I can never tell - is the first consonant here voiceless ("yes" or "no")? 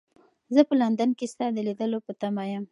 no